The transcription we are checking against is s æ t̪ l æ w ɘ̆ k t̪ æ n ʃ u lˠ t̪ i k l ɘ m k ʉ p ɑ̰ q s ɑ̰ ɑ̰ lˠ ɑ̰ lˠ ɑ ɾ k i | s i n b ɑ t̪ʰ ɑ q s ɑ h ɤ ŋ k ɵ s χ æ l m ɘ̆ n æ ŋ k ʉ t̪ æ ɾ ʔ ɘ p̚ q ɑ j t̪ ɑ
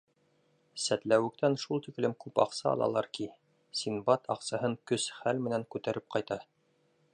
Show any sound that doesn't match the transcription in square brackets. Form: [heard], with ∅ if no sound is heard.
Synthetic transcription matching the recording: s æ t̪ l æ w ɘ̆ k t̪ æ n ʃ u lˠ t̪ i k l ɘ m k ʉ p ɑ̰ q s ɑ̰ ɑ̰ lˠ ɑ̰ lˠ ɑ ɾ k i | s i n b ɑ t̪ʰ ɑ q s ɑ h ɤ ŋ k ɵ s χ æ l m ɘ̆ n æ ŋ k ʉ t̪ æ ɾ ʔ ɘ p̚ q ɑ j t̪ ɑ